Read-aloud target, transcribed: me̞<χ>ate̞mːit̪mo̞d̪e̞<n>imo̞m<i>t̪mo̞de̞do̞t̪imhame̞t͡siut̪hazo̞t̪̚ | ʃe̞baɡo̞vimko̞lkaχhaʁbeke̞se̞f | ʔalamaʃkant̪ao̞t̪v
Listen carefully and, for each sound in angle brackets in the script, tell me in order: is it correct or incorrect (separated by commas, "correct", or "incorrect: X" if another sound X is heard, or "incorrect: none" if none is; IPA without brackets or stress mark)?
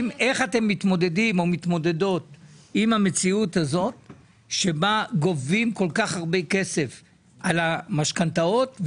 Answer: correct, incorrect: d, correct